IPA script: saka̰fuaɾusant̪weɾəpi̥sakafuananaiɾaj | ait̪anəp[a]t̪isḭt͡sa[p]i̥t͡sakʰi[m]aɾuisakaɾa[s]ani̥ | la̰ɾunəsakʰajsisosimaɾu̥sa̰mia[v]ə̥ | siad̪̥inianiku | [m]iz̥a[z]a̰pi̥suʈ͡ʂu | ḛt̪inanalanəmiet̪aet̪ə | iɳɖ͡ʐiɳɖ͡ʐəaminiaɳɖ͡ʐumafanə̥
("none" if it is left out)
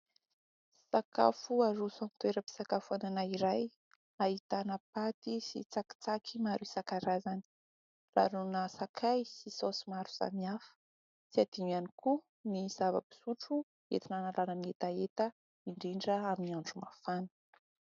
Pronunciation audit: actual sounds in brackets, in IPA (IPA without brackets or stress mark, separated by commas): a, k, m, z, f, n, v